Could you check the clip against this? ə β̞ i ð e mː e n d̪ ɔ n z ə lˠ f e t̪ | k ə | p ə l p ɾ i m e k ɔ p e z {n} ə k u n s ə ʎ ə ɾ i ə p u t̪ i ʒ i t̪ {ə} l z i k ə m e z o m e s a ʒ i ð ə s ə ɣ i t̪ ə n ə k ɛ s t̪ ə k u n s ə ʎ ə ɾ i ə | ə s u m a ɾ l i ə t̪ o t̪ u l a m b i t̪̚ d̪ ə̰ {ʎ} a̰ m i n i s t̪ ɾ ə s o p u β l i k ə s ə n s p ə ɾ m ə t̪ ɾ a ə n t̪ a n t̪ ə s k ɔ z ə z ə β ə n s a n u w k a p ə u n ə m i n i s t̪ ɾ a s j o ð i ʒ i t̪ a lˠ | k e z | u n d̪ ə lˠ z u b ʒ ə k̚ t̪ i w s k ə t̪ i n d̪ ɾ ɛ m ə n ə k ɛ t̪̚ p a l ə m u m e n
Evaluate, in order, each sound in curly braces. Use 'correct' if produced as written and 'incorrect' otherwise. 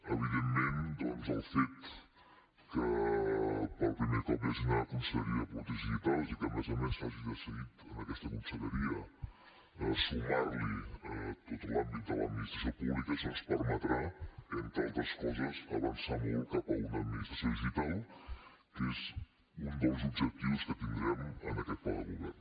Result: correct, incorrect, incorrect

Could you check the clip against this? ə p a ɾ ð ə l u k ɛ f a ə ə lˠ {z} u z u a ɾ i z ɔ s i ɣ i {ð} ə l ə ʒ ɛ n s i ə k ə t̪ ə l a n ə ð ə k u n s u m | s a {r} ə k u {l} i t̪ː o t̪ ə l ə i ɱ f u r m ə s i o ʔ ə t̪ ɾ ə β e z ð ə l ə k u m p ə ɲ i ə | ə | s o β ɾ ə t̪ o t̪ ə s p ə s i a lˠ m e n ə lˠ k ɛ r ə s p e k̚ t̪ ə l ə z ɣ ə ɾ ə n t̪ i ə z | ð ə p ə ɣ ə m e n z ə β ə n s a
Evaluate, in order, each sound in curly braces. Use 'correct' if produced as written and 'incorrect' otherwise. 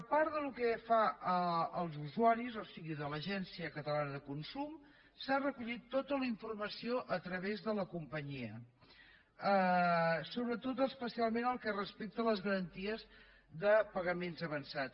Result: correct, correct, correct, incorrect

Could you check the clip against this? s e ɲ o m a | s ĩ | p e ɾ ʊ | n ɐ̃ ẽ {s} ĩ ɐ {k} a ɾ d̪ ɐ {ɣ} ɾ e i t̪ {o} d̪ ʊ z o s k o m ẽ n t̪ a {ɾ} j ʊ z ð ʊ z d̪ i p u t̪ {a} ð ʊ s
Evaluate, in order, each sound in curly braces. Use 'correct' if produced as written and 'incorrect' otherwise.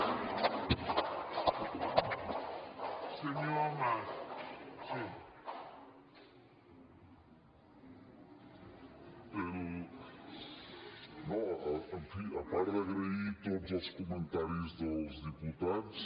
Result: incorrect, incorrect, correct, correct, correct, correct

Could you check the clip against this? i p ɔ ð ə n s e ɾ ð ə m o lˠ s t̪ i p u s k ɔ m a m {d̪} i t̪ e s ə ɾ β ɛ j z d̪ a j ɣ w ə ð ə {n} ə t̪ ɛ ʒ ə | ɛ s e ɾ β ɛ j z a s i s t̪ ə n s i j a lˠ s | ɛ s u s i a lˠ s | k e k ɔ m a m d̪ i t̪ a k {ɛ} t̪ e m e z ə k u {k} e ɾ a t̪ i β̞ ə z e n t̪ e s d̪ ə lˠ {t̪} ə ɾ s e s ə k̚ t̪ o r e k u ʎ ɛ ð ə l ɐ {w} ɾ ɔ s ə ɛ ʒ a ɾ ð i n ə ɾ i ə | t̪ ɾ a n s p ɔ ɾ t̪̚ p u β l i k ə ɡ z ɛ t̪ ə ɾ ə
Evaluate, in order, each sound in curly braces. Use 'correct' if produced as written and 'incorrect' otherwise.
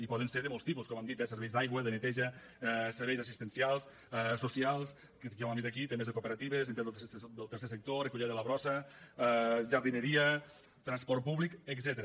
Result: correct, correct, incorrect, incorrect, correct, incorrect

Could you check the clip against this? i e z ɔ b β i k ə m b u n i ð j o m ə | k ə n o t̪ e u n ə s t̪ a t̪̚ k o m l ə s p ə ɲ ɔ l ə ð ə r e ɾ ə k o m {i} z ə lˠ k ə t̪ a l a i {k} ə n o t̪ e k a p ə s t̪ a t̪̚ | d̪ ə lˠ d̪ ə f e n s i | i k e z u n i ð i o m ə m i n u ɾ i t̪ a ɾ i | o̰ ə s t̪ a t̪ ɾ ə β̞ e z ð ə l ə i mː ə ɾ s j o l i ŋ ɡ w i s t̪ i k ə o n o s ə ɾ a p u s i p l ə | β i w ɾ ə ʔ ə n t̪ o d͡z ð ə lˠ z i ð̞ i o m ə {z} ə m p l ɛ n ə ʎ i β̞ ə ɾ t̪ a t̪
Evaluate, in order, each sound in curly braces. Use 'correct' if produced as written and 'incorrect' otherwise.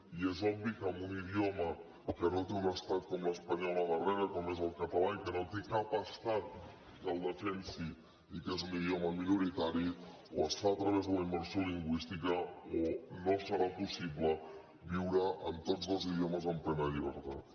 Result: incorrect, correct, correct

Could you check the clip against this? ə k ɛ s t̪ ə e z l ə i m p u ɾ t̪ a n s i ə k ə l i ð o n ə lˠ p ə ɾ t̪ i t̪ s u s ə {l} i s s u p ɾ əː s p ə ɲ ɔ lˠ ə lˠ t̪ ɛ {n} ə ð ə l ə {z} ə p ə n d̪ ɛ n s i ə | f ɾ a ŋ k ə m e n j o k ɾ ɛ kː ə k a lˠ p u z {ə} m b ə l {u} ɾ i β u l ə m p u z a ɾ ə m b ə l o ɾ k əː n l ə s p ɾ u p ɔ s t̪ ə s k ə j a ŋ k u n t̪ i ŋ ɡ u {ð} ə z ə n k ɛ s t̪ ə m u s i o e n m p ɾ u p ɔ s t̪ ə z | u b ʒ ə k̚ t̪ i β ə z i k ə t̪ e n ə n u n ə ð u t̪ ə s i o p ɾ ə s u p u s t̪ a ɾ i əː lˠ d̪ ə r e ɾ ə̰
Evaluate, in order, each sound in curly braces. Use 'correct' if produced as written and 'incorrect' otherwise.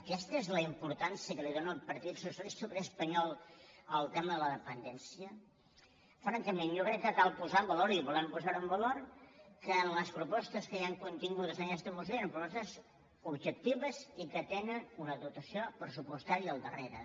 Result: correct, incorrect, incorrect, incorrect, incorrect, correct

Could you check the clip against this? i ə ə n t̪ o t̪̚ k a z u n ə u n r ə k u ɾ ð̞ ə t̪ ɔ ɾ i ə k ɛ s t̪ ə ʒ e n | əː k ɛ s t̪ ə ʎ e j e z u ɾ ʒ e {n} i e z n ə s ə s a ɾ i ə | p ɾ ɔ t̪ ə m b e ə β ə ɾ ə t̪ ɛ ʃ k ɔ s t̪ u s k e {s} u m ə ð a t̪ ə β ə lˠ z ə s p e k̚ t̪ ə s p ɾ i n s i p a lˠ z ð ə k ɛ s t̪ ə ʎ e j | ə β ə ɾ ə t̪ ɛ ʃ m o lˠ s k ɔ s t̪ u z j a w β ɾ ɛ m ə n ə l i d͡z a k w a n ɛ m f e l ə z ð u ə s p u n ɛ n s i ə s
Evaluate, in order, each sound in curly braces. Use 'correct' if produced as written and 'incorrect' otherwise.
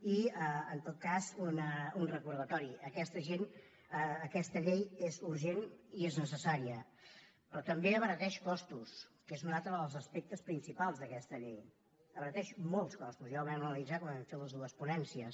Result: correct, incorrect

